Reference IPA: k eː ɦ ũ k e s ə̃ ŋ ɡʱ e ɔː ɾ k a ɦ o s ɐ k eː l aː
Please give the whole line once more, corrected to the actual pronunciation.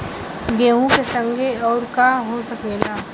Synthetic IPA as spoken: ɡ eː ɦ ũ k e s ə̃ ŋ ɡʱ e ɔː ɾ k a ɦ o s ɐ k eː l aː